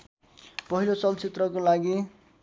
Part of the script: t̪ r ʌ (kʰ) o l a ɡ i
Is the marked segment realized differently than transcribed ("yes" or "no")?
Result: yes